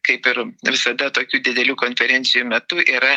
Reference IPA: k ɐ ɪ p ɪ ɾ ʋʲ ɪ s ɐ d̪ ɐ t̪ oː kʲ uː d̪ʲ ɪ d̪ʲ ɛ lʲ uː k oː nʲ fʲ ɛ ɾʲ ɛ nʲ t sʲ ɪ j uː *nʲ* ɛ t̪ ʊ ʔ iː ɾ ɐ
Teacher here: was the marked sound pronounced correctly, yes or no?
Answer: no